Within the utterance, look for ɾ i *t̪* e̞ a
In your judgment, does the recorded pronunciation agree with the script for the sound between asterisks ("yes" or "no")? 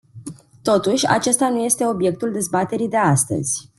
no